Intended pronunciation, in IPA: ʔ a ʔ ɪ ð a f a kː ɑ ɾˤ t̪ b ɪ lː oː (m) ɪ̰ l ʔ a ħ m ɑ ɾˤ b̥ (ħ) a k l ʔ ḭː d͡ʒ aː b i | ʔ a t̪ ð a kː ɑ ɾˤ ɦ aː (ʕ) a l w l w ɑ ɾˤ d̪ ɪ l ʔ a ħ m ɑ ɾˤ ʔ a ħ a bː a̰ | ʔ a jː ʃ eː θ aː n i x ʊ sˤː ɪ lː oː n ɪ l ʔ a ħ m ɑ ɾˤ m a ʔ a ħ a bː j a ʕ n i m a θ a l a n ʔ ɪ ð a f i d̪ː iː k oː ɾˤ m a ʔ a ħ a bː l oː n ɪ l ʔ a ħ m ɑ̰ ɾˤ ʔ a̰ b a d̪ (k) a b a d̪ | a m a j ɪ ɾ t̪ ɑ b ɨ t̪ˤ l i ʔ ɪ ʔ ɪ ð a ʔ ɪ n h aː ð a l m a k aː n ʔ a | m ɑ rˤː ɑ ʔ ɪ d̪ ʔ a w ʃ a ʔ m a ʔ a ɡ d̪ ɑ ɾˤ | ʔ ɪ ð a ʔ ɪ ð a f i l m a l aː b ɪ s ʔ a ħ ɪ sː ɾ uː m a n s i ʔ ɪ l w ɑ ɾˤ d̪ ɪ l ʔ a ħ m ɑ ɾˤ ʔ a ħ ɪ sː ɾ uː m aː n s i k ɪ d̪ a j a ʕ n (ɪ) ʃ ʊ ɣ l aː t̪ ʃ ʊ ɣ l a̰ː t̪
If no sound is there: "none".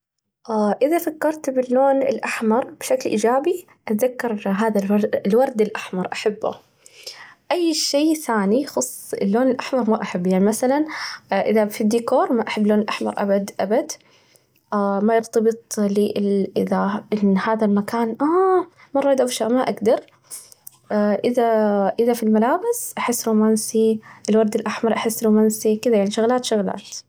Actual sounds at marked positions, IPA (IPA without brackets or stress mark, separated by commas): n, ʃ, ð, ʔ, i